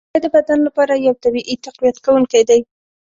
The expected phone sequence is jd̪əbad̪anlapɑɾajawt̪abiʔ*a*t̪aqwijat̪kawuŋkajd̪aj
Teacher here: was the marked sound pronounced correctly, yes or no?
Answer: no